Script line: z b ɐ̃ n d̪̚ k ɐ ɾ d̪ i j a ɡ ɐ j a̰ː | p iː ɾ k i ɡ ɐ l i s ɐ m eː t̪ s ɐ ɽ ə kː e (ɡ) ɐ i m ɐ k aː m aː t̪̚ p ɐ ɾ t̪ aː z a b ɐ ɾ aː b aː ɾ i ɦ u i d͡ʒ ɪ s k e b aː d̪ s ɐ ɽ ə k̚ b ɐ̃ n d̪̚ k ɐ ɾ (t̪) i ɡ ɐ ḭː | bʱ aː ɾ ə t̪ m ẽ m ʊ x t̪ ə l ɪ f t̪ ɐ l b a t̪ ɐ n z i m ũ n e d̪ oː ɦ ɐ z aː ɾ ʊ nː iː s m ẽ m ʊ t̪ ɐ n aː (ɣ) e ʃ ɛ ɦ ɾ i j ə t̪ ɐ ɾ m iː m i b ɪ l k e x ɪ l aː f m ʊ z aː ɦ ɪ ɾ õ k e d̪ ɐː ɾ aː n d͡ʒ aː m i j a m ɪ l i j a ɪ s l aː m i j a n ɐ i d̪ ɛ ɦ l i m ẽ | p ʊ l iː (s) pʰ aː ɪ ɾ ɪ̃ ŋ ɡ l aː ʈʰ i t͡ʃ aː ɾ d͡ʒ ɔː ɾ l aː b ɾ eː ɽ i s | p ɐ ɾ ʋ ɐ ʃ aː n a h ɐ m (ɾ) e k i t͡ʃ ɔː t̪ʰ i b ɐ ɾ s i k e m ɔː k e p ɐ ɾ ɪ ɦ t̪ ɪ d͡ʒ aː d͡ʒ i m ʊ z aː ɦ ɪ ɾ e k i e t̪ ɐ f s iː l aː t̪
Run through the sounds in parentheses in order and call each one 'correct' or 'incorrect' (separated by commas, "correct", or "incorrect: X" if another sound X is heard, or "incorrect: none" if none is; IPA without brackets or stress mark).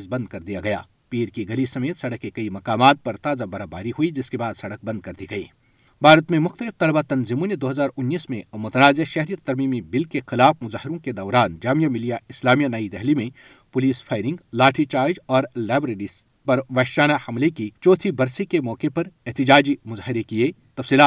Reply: incorrect: k, incorrect: d̪, incorrect: z, correct, incorrect: l